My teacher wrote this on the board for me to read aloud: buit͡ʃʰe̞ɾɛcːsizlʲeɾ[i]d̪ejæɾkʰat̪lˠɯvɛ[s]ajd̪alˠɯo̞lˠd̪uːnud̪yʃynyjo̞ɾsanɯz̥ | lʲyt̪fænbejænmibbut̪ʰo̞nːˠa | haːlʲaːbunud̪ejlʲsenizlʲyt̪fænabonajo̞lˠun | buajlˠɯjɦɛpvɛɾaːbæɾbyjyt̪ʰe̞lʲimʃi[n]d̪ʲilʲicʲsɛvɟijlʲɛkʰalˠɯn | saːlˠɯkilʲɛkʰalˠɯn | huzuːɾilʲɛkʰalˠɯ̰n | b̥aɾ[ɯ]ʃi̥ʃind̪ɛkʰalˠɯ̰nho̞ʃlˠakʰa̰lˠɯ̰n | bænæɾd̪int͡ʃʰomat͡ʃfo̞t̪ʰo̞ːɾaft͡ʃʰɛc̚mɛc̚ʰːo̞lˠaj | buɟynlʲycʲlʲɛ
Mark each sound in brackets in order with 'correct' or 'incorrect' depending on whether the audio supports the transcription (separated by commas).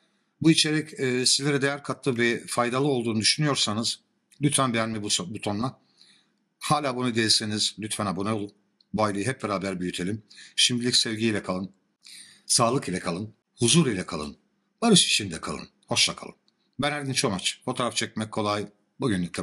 incorrect, incorrect, incorrect, correct